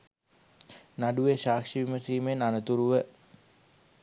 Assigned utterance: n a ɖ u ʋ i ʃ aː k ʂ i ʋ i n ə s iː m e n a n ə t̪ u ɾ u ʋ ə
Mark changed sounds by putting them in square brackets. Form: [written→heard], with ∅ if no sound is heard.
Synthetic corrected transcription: n a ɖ u ʋ [i→e] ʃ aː k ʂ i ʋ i [n→m] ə s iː m e n a n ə t̪ u ɾ u ʋ ə